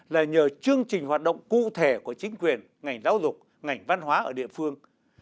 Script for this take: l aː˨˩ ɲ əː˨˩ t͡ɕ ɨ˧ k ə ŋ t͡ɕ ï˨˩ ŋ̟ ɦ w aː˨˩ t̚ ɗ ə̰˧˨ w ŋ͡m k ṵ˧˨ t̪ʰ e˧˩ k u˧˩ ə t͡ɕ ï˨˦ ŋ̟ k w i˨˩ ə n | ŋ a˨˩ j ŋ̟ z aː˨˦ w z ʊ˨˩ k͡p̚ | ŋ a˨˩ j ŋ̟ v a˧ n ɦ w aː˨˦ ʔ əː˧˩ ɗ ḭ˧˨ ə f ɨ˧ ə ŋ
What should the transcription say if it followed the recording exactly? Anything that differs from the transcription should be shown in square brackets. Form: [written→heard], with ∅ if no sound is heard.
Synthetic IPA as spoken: l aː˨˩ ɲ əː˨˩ t͡ɕ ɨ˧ [k→∅] ə ŋ t͡ɕ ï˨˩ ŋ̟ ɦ w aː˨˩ t̚ ɗ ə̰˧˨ w ŋ͡m k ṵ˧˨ t̪ʰ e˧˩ k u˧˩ ə t͡ɕ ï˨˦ ŋ̟ k w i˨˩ ə n | ŋ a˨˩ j ŋ̟ z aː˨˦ w z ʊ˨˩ k͡p̚ | ŋ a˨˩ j ŋ̟ v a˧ n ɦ w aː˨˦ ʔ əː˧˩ ɗ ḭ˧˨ ə f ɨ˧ ə ŋ